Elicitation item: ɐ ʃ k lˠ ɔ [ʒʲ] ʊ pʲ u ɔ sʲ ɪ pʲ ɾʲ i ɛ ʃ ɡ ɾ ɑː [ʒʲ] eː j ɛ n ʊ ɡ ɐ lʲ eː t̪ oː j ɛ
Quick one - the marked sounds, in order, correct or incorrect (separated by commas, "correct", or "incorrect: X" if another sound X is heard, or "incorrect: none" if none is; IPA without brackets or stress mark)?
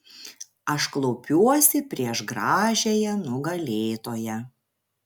incorrect: none, correct